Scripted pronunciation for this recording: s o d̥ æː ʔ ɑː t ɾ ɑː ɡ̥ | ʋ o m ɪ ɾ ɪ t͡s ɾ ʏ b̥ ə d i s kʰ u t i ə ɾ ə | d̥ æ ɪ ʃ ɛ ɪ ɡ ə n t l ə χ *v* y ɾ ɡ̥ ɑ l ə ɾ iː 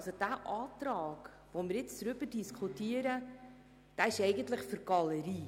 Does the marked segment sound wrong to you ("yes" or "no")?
yes